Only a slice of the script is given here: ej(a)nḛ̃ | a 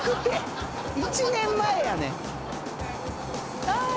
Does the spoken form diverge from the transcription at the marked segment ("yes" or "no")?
no